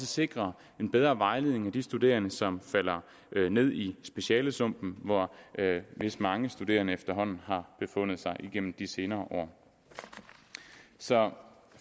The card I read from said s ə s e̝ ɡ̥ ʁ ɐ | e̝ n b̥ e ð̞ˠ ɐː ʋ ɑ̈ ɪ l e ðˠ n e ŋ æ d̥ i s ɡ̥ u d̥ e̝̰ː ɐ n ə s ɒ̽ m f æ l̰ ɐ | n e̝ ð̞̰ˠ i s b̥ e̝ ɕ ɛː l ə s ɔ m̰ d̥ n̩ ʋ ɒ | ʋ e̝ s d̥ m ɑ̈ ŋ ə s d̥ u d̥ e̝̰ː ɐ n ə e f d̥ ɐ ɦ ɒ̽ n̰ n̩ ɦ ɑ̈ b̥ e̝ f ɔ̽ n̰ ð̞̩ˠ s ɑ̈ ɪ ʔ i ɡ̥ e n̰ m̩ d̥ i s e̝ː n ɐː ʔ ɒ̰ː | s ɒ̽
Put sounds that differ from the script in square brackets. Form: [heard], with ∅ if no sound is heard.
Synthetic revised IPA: s ə s e̝ ɡ̥ ʁ ɐ | e̝ n b̥ e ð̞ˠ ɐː ʋ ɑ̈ ɪ l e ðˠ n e ŋ æ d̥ i s [d̥] u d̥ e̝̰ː ɐ n ə s ɒ̽ m f æ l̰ ɐ | n e̝ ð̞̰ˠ i s b̥ e̝ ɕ ɛː l ə s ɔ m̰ [b̥] n̩ ʋ ɒ | ʋ e̝ s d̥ m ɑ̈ ŋ ə s d̥ u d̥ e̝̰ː ɐ n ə e f d̥ ɐ ɦ ɒ̽ n̰ n̩ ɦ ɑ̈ b̥ e̝ f ɔ̽ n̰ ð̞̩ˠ s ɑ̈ ɪ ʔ i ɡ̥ e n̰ m̩ d̥ i s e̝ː n ɐː ʔ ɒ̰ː | s ɒ̽

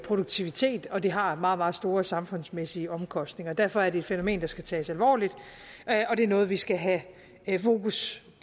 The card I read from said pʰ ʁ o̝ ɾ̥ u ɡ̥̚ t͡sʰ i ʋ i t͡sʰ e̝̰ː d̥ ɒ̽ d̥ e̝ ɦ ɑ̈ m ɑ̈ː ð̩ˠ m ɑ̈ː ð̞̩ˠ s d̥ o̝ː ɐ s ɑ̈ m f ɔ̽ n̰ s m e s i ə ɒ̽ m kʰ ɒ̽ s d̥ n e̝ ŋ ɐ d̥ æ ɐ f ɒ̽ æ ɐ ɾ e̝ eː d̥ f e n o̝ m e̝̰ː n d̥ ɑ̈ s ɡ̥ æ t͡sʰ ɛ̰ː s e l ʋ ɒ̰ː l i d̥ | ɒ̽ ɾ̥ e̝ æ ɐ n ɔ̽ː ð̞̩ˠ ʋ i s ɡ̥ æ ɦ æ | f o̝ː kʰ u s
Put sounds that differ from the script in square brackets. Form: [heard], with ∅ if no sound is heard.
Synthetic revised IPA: pʰ ʁ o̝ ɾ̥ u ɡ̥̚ t͡sʰ i ʋ i t͡sʰ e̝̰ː d̥ ɒ̽ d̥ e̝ ɦ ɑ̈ m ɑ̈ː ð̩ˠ m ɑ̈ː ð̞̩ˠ s d̥ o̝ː ɐ s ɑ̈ m f ɔ̽ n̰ s m e s i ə ɒ̽ m kʰ ɒ̽ s d̥ n e̝ ŋ ɐ d̥ æ ɐ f ɒ̽ æ ɐ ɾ e̝ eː d̥ f e n o̝ m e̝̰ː n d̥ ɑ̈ s ɡ̥ æ t͡sʰ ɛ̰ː s [æ] l ʋ ɒ̰ː l i d̥ | ɒ̽ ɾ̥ e̝ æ ɐ n ɔ̽ː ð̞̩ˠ ʋ i s ɡ̥ æ ɦ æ | f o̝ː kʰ u s

